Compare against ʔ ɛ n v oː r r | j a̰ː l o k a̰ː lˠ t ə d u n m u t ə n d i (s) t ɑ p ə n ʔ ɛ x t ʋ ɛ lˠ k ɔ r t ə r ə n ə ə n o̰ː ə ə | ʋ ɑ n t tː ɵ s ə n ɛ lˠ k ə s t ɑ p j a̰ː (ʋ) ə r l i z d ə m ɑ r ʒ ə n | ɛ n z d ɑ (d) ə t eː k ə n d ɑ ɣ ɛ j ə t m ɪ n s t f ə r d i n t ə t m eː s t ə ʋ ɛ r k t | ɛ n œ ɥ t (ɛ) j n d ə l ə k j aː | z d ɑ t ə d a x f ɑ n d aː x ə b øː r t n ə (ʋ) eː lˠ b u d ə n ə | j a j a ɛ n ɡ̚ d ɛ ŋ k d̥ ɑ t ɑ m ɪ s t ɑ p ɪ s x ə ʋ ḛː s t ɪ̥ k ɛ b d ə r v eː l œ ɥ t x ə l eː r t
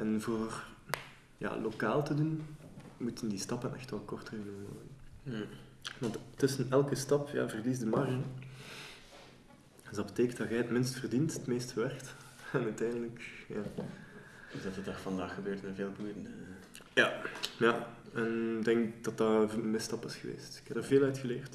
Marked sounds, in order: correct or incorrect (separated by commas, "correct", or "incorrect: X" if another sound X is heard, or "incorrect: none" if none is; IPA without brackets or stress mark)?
correct, incorrect: v, incorrect: b, correct, incorrect: v